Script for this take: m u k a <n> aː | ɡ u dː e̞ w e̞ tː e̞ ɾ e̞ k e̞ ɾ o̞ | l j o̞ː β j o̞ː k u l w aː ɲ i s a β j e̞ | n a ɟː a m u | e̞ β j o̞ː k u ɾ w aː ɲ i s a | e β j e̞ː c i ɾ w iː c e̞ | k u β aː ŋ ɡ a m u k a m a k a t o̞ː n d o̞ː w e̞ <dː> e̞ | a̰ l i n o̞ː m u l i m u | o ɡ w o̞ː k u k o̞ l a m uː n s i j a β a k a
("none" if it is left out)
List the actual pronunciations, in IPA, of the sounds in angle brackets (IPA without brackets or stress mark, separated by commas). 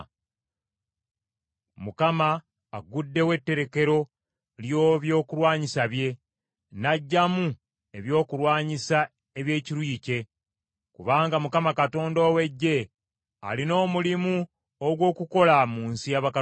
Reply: m, ɟː